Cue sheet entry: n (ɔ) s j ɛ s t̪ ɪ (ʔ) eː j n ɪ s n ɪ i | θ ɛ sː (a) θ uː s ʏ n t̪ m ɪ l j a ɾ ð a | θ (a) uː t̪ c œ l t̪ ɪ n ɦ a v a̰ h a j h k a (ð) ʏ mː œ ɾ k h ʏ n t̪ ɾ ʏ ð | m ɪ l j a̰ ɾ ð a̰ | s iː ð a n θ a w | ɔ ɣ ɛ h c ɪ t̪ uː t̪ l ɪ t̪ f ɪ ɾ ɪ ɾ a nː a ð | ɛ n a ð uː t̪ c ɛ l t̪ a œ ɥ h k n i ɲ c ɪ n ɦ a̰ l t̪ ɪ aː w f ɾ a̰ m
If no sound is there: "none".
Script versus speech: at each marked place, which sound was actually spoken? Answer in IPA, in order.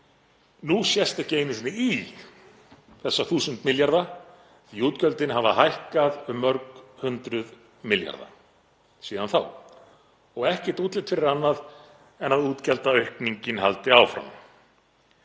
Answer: u, c, a, i, ð

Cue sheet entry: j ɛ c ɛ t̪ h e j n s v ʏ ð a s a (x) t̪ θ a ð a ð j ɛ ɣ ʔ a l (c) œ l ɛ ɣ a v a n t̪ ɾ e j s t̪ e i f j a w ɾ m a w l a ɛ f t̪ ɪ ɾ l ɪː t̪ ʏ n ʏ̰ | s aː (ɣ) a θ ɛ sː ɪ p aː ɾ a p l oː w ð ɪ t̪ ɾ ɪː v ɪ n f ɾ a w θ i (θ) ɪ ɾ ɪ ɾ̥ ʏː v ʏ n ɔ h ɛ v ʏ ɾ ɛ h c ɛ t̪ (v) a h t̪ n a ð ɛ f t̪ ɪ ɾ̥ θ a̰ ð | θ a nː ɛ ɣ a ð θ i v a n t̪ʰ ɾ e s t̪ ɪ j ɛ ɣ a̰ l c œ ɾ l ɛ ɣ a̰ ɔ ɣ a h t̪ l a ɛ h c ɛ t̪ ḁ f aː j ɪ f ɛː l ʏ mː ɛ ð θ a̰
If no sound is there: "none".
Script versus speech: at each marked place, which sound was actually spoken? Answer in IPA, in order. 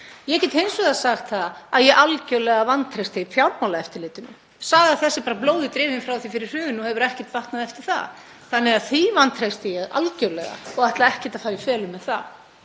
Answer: x, c, ɣ, f, v

